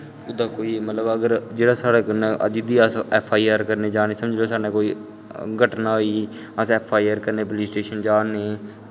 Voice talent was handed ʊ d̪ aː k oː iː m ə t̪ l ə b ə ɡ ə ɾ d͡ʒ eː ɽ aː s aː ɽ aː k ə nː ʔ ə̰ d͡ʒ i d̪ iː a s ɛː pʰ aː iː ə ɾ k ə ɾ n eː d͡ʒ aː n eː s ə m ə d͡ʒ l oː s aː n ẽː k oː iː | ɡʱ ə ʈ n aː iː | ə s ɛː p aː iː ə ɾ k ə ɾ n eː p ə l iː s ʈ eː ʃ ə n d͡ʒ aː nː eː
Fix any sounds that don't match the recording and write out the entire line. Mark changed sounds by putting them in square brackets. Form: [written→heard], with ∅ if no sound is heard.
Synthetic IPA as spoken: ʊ d̪ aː k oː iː m ə t̪ l ə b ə ɡ ə ɾ d͡ʒ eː ɽ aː s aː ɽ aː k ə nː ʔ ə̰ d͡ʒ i d̪ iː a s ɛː pʰ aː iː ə ɾ k ə ɾ n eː d͡ʒ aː n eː s ə m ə d͡ʒ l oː s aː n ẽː k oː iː | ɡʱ ə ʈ n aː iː | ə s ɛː [p→pʰ] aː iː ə ɾ k ə ɾ n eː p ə l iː s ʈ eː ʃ ə n d͡ʒ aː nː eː